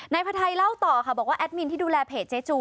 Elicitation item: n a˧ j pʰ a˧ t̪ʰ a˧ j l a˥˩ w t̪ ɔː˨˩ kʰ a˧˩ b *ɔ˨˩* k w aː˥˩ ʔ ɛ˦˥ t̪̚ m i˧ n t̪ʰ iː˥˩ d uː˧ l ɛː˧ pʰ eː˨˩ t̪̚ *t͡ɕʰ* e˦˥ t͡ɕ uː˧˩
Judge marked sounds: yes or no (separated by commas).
no, no